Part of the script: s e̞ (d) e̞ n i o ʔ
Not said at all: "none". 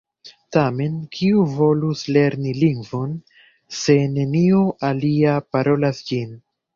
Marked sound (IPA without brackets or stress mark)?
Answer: n